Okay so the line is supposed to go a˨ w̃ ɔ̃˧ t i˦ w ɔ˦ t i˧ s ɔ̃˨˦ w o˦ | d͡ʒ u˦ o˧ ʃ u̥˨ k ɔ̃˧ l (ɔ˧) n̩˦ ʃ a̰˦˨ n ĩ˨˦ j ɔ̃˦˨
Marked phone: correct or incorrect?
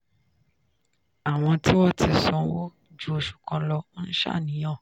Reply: correct